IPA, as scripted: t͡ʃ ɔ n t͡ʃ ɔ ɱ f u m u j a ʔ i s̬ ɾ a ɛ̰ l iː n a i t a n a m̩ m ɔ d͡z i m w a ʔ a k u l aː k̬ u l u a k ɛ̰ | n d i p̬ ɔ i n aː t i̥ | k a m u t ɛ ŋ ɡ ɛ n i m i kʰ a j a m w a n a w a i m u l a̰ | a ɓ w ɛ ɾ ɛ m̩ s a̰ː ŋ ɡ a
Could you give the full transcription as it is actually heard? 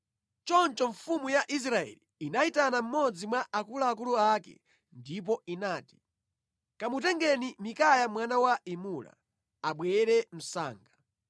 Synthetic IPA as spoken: t͡ʃ ɔ n t͡ʃ ɔ ɱ f u m u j a ʔ i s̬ ɾ a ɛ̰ l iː n a i t a n a m̩ m ɔ d͡z i m w a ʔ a k u l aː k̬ u l u a k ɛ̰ | n d i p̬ ɔ i n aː t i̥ | k a m u t ɛ ŋ ɡ ɛ n i m i k a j a m w a n a w a i m u l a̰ | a ɓ w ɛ ɾ ɛ m̩ s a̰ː ŋ ɡ a